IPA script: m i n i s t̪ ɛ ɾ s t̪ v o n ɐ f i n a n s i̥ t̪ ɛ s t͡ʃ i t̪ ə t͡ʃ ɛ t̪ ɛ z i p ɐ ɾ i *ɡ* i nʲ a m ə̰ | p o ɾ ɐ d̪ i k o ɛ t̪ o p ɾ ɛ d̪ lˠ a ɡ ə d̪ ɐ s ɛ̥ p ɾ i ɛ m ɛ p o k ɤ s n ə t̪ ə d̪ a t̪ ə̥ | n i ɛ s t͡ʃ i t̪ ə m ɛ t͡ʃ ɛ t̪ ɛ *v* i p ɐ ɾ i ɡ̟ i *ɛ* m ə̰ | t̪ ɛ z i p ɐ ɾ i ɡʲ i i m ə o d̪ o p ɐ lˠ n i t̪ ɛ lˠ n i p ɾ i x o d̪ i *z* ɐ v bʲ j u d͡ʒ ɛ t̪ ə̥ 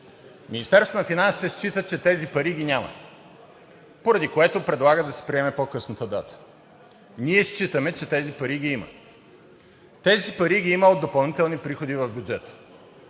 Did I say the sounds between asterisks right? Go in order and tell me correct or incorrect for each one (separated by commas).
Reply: correct, incorrect, incorrect, incorrect